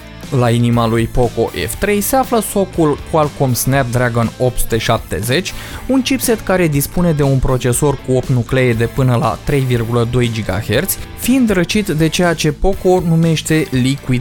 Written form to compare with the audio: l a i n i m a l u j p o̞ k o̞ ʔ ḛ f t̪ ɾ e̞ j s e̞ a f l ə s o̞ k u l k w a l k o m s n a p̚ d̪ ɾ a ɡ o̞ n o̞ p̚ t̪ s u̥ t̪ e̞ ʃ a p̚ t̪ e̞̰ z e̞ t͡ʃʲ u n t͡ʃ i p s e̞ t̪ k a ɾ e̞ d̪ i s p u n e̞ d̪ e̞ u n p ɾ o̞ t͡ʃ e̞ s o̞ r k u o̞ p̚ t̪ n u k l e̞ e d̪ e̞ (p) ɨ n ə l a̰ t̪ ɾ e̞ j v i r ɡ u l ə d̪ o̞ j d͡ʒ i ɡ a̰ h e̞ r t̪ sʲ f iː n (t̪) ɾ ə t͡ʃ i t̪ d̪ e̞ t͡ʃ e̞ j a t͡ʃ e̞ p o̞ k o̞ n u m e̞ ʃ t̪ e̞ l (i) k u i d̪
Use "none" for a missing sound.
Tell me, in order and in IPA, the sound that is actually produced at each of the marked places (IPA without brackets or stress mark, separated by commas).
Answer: p, d̪, i